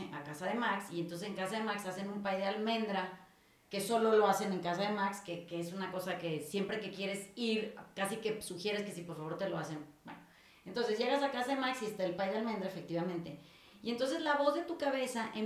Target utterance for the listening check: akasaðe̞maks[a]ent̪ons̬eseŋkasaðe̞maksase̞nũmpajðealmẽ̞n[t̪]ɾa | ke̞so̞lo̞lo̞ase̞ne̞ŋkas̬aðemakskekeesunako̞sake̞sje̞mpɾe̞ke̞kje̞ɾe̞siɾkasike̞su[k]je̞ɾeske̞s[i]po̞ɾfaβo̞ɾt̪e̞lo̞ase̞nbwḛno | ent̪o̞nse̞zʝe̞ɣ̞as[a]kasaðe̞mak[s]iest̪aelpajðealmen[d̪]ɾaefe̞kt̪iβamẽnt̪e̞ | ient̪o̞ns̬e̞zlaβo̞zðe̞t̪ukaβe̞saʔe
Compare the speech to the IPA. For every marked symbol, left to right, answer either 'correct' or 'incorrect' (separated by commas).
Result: incorrect, incorrect, incorrect, correct, correct, correct, correct